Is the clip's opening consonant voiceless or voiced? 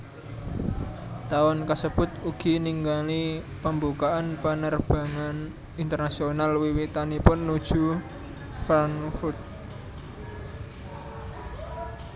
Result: voiceless